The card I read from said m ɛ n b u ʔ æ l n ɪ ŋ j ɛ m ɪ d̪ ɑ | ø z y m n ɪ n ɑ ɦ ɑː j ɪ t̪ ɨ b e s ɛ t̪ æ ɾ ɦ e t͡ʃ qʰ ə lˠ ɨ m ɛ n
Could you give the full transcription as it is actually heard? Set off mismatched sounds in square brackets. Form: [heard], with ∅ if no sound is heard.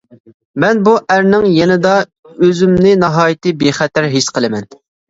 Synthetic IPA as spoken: m ɛ n b u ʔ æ [ɾ] n ɪ ŋ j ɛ [n] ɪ d̪ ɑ | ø z y m n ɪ n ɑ ɦ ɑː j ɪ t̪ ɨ b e [χ] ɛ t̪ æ ɾ ɦ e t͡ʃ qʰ ə lˠ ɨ m ɛ n